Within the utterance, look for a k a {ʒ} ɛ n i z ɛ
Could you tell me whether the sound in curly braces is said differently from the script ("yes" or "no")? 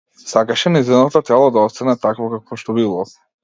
yes